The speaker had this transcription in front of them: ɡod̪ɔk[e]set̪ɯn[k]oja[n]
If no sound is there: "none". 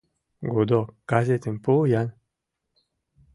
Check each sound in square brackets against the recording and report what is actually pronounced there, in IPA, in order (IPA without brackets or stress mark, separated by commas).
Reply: a, p, n